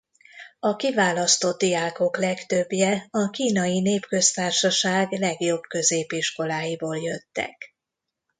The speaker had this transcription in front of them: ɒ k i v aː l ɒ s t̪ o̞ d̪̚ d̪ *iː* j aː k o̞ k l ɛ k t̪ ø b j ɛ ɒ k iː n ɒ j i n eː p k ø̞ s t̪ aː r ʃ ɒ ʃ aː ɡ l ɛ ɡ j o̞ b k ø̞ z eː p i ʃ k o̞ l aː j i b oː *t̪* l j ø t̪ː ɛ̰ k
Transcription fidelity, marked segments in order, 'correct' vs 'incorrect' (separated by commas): incorrect, incorrect